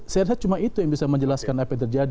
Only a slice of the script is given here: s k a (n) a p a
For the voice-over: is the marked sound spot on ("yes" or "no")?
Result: yes